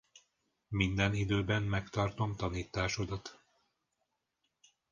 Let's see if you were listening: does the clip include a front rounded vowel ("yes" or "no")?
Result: yes